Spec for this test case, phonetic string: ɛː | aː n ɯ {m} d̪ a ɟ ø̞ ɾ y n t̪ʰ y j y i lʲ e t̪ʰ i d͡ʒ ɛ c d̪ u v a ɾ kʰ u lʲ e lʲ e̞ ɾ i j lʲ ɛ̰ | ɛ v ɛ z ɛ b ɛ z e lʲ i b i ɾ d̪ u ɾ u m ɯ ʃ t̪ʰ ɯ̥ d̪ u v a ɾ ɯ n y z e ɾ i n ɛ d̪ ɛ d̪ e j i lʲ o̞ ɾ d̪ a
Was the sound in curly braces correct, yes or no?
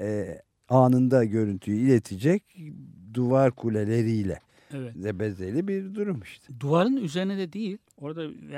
no